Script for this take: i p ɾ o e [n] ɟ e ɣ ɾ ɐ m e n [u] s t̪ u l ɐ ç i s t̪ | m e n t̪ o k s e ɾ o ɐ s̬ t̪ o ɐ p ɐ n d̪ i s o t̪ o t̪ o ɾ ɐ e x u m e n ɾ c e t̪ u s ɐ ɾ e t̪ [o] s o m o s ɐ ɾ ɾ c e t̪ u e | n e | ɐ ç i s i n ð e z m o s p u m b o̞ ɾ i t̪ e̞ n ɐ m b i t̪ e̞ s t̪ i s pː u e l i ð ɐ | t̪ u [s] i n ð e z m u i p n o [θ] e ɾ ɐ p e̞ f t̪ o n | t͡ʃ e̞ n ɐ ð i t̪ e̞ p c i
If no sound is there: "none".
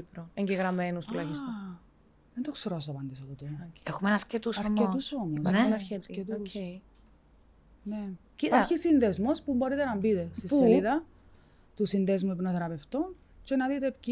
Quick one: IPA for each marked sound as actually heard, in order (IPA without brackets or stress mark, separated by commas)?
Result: ɲ, u, u, s, θ